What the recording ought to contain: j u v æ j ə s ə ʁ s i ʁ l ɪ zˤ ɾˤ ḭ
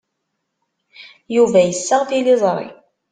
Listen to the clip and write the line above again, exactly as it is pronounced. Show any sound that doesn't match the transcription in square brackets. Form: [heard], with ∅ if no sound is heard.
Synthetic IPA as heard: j u v æ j ə [sː] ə ʁ [θ] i [∅] l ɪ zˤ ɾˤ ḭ